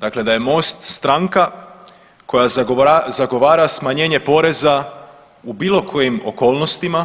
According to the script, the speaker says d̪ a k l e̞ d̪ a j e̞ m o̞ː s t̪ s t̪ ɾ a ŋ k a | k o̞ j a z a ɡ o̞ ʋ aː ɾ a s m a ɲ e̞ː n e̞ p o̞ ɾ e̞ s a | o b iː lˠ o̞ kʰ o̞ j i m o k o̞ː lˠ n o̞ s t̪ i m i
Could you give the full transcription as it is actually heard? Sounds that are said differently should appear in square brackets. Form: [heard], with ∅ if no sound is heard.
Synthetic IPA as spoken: d̪ a k l e̞ d̪ a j e̞ m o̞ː s t̪ s t̪ ɾ a ŋ k a | k o̞ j a z a ɡ o̞ ʋ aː ɾ a s m a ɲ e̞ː [ɲ] e̞ p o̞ ɾ e̞ [z] a | [u] b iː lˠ o̞ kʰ o̞ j i m o k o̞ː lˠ n o̞ s t̪ i m [a]

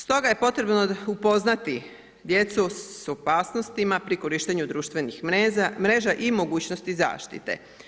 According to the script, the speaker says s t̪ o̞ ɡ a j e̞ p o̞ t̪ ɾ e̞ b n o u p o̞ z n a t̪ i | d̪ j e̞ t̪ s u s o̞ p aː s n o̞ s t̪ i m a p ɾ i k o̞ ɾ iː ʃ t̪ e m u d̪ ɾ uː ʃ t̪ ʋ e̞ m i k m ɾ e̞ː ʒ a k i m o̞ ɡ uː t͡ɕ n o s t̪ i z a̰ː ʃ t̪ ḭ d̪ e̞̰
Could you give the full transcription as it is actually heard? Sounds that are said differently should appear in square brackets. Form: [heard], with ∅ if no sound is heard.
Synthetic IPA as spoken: s t̪ o̞ ɡ a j e̞ p o̞ t̪ ɾ e̞ b n o u p o̞ z n a t̪ i | d̪ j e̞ t̪ s u s o̞ p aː s n o̞ s t̪ i m a p ɾ i k o̞ ɾ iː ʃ t̪ e [ɲ] u d̪ ɾ uː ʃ t̪ ʋ e̞ [n] i [x] m ɾ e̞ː ʒ a [ʔ] i m o̞ ɡ uː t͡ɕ n o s t̪ i z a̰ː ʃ t̪ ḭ [t̪] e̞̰

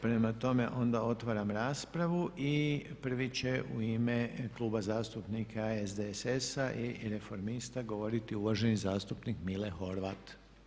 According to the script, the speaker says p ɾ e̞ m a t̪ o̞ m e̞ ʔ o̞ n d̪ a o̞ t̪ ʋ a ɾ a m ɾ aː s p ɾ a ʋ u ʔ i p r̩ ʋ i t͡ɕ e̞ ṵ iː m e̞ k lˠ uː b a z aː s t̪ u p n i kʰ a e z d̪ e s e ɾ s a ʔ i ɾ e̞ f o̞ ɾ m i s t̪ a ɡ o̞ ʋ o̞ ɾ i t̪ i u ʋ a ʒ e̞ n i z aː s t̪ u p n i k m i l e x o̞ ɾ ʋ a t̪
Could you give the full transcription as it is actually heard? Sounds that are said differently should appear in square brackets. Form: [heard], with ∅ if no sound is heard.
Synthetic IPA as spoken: p ɾ e̞ m a t̪ o̞ m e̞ ʔ o̞ n d̪ a o̞ t̪ ʋ a ɾ a m ɾ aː s p ɾ a ʋ u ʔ i p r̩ ʋ i t͡ɕ e̞ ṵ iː m e̞ k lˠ uː b a z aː s t̪ u p n i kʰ a e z d̪ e s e [∅] s a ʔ i ɾ e̞ f o̞ ɾ m i s t̪ a ɡ o̞ ʋ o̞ ɾ i t̪ i u ʋ a ʒ e̞ n i z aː s t̪ u p n i k m i l e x o̞ ɾ ʋ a t̪

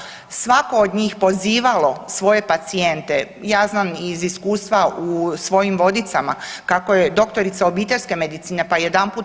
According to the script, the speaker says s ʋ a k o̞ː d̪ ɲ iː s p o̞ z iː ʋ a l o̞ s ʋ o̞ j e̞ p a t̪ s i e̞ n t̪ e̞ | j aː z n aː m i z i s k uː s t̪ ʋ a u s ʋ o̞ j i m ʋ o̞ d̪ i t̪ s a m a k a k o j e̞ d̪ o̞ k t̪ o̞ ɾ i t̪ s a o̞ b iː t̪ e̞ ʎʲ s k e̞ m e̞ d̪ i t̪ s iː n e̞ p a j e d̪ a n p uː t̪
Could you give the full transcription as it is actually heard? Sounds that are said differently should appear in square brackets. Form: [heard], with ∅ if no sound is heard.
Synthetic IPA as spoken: s ʋ a k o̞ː d̪ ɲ iː [x] p o̞ z iː ʋ a l o̞ s ʋ o̞ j e̞ p a t̪ s i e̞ n t̪ e̞ | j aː z n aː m i z i s k uː s t̪ ʋ a u s ʋ o̞ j i m ʋ o̞ d̪ i t̪ s a m a k a k o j e̞ d̪ o̞ k t̪ o̞ ɾ i t̪ s a o̞ b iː t̪ e̞ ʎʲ s k e̞ m e̞ d̪ i t̪ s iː n e̞ p a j e d̪ a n p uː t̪

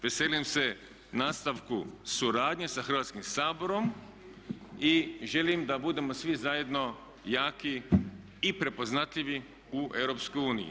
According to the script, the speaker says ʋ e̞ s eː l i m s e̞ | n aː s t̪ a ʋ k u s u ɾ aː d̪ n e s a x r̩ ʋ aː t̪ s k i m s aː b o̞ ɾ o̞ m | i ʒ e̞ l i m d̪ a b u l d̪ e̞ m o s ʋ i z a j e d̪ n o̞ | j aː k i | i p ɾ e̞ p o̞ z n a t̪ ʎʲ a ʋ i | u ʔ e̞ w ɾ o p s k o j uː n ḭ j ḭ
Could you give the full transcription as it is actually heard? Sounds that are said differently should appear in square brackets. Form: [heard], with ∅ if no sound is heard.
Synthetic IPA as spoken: ʋ e̞ s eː l i m s e̞ | n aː s t̪ a ʋ k u s u ɾ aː d̪ [ɲ] e s a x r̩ ʋ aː t̪ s k i m s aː b o̞ ɾ o̞ m | i ʒ e̞ l i m d̪ a b u [∅] d̪ e̞ m o s ʋ i z a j e d̪ n o̞ | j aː k i | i p ɾ e̞ p o̞ z n a t̪ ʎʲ [i] ʋ i | u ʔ e̞ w ɾ o p s k o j uː n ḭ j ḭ

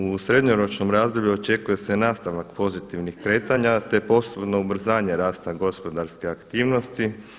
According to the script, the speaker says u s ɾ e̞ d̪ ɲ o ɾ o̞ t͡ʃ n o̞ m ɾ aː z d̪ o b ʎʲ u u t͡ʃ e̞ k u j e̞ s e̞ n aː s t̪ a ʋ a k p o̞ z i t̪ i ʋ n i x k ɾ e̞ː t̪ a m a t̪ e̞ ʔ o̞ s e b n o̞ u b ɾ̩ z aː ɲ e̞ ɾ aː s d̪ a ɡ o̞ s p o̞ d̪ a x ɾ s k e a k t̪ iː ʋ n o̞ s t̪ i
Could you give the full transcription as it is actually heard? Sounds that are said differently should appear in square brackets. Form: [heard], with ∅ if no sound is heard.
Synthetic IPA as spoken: u s ɾ e̞ d̪ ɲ o ɾ o̞ t͡ʃ n o̞ m ɾ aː z d̪ o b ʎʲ u [o] t͡ʃ e̞ k u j e̞ s e̞ n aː s t̪ a ʋ a k p o̞ z i t̪ i ʋ n i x k ɾ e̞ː t̪ a [ɲ] a t̪ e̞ [p] o̞ s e b n o̞ u b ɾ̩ z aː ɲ e̞ ɾ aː s [t̪] a ɡ o̞ s p o̞ d̪ a [∅] ɾ s k e a k t̪ iː ʋ n o̞ s t̪ i

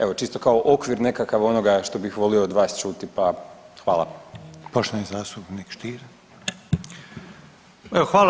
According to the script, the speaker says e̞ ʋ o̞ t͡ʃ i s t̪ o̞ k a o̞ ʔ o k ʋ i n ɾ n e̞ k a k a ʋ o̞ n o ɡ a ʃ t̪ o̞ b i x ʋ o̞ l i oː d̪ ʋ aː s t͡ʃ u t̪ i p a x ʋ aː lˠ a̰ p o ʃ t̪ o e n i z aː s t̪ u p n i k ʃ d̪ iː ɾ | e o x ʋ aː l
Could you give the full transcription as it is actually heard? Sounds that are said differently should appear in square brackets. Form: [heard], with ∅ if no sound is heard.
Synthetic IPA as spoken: e̞ ʋ o̞ t͡ʃ i s t̪ o̞ k a o̞ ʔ o k ʋ i [∅] ɾ n e̞ k a k a ʋ o̞ n o ɡ a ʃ t̪ o̞ b i x ʋ o̞ l i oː d̪ ʋ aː s t͡ʃ u t̪ i p a x ʋ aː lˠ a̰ p o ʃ t̪ o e n i z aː s t̪ u p n i k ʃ [t̪] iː ɾ | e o x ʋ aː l

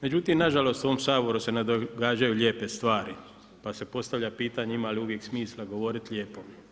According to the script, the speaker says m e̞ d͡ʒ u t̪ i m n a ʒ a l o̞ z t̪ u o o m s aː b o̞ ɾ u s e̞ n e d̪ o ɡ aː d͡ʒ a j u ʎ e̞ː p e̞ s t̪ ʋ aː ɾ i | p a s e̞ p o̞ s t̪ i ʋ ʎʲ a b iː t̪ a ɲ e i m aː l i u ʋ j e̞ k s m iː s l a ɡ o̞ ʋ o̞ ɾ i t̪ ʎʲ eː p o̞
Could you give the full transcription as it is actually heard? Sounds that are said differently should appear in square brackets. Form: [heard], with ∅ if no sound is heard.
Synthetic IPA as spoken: m e̞ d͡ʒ u t̪ i m n a ʒ a l o̞ [s] t̪ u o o m s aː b o̞ ɾ u s e̞ n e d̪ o ɡ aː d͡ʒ a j u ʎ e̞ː p e̞ s t̪ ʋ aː ɾ i | p a s e̞ p o̞ s t̪ [a] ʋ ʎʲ a [p] iː t̪ a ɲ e i m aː l i u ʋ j e̞ k s m iː s l a ɡ o̞ ʋ o̞ ɾ i t̪ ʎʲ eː p o̞

